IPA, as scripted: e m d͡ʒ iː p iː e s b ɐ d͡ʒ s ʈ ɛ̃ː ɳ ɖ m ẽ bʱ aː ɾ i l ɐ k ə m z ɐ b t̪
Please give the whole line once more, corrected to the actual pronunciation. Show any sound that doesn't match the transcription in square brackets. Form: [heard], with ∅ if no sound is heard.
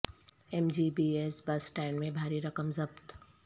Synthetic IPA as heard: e m d͡ʒ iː [b] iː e s b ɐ [∅] s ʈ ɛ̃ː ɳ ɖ m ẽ bʱ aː ɾ i [ɾ] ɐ k ə m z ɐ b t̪